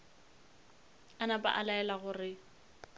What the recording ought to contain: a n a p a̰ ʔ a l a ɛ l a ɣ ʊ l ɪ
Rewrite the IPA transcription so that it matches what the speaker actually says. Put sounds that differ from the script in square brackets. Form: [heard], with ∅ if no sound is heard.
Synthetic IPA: a n a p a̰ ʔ a l a ɛ l a ɣ ʊ [r] ɪ